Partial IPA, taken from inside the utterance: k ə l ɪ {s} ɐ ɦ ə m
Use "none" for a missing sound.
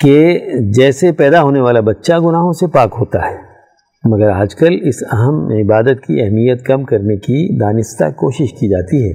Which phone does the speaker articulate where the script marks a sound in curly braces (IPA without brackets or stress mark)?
s